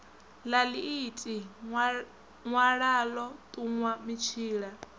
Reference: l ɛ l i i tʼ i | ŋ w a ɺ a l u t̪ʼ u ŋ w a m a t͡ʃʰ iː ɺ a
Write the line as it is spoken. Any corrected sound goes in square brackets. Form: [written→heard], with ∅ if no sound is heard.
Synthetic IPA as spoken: l [ɛ→a] l i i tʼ i | ŋ w a ɺ a l [u→ɔ] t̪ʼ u ŋ w a m [a→i] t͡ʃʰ iː ɺ a